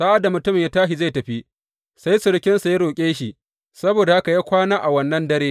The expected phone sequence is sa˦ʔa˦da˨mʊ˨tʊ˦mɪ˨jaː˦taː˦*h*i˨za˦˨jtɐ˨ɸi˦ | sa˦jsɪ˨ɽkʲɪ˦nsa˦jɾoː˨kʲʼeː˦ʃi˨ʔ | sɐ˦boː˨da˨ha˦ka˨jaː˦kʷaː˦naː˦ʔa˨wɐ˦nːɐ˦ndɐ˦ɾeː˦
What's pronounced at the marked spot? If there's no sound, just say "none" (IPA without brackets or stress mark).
ʃ